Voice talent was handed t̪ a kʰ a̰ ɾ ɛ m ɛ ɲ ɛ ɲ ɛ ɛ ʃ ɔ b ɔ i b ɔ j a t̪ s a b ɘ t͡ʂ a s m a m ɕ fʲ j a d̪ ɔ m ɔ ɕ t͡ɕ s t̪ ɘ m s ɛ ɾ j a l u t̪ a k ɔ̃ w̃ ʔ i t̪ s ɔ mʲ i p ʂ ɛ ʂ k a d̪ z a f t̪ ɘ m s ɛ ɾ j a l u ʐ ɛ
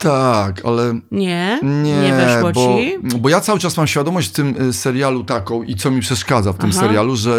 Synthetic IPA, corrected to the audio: t̪ a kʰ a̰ l ɛ ɲ ɛ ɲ ɛ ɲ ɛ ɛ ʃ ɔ b ɔ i b ɔ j a t̪ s a w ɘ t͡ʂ a s m a m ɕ fʲ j a d̪ ɔ m ɔ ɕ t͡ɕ f t̪ ɘ m s ɛ ɾ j a l u t̪ a k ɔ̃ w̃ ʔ i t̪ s ɔ mʲ i p ʂ ɛ ʂ k a d̪ z a f t̪ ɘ m s ɛ ɾ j a l u ʐ ɛ